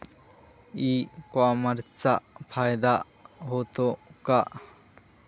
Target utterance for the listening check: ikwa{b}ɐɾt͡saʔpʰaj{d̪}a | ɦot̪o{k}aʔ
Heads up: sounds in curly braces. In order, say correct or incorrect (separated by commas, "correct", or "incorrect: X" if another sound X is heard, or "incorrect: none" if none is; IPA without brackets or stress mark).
incorrect: m, correct, correct